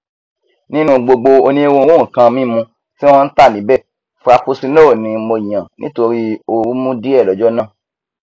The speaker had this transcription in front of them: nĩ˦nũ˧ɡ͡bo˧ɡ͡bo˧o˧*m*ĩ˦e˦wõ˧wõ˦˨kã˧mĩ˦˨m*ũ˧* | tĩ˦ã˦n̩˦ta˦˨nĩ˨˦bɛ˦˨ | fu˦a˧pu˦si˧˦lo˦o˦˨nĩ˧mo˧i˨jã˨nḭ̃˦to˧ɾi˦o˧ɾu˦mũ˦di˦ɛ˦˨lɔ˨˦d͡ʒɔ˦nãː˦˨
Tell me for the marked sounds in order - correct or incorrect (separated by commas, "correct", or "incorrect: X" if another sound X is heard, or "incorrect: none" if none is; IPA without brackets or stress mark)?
incorrect: n, correct